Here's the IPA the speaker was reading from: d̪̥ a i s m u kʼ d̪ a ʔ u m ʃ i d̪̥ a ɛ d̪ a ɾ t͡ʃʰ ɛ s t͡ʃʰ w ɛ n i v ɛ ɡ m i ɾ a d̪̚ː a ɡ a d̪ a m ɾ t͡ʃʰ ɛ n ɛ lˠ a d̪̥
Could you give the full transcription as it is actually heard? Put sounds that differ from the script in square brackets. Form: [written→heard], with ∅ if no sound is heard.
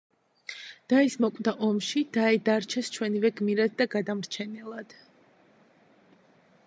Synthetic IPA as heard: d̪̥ a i s m [u→ɔ] kʼ d̪ a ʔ [u→ɔ] m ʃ i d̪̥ a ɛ d̪ a ɾ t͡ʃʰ ɛ s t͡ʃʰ w ɛ n i v ɛ ɡ m i ɾ a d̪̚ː a ɡ a d̪ a m ɾ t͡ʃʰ ɛ n ɛ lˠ a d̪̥

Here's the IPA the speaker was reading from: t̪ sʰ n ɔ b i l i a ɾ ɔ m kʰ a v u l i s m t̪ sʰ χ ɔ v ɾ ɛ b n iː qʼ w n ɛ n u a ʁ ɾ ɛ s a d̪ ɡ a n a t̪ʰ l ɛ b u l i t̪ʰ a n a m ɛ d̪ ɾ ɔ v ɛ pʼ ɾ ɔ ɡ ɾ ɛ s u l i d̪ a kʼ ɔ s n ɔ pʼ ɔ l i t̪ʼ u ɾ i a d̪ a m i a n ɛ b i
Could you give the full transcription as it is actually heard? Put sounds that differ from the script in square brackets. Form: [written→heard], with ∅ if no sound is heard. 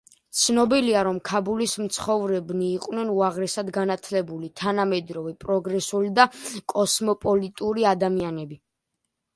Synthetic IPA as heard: t̪ sʰ n ɔ b i l i a ɾ ɔ m kʰ a [v→b] u l i s m t̪ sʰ χ ɔ v ɾ ɛ b n iː qʼ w n ɛ n u a ʁ ɾ ɛ s a d̪ ɡ a n a t̪ʰ l ɛ b u l i t̪ʰ a n a m ɛ d̪ ɾ ɔ v ɛ pʼ ɾ ɔ ɡ ɾ ɛ s u l i d̪ a kʼ ɔ s [n→m] ɔ pʼ ɔ l i t̪ʼ u ɾ i a d̪ a m i a n ɛ b i

